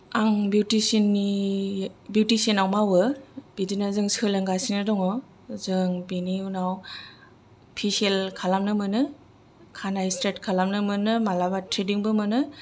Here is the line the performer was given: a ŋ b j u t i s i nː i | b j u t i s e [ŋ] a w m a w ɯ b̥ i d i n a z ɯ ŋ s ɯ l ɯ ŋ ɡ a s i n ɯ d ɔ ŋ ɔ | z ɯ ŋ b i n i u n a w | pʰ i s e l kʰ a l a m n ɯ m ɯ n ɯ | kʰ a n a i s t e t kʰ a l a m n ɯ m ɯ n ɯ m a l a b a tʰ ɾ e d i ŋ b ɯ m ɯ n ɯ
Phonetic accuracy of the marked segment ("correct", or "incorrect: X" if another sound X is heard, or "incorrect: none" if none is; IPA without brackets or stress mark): incorrect: n